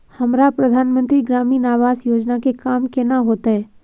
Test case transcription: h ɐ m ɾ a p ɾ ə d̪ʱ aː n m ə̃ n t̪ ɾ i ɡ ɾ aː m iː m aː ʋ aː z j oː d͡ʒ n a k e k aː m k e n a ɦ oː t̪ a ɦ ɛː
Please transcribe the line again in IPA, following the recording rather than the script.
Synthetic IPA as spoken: h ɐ m ɾ a p ɾ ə d̪ʱ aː n m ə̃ n t̪ ɾ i ɡ ɾ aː m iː n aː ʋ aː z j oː d͡ʒ n a k e k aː m k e n a ɦ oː t̪ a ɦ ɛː